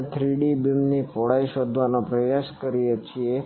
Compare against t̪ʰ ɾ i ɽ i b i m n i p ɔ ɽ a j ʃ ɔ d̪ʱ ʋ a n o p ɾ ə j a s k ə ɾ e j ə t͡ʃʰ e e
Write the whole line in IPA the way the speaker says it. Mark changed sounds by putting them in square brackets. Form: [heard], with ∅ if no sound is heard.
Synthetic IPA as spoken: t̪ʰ ɾ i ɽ i b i m n i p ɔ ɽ a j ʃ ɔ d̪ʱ ʋ a n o p ɾ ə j a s k ə ɾ [i] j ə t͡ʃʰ [i] e